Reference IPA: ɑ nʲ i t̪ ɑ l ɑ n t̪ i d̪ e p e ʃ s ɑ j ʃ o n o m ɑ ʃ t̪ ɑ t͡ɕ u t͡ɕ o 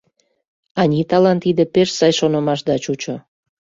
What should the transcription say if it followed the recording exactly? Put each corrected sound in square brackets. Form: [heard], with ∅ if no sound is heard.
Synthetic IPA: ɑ nʲ i t̪ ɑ l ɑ n t̪ i d̪ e p e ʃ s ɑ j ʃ o n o m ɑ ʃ [d̪] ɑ t͡ɕ u t͡ɕ o